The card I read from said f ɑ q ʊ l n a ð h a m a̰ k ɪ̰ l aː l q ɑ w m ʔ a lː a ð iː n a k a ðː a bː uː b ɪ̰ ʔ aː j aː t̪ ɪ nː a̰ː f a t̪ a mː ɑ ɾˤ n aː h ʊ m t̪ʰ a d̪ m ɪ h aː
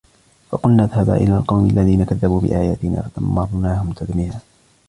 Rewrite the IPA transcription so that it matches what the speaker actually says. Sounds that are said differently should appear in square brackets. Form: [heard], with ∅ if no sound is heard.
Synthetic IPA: f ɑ q ʊ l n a ð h a [b] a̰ [ʔ] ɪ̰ l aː l q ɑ w m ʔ a lː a ð iː n a k a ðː a [b] uː b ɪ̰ ʔ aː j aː t̪ ɪ [n] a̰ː f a t̪ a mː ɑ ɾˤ n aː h ʊ m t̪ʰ a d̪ m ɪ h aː